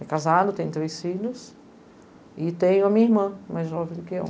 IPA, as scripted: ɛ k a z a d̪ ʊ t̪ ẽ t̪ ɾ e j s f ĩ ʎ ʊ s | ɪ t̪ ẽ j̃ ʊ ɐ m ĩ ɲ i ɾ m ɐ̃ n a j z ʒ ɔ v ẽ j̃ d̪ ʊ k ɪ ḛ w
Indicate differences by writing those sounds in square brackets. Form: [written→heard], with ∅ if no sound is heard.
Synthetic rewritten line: ɛ k a z a d̪ ʊ t̪ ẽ t̪ ɾ e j s f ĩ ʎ ʊ s | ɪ t̪ ẽ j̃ ʊ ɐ m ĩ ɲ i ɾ m ɐ̃ [n→m] a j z ʒ ɔ v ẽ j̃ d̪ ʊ k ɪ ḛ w